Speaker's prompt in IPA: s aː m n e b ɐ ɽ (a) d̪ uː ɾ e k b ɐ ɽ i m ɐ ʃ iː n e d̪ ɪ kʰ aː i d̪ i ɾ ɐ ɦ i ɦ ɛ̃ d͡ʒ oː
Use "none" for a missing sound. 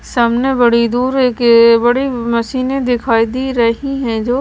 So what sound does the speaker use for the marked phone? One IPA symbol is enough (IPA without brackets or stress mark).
i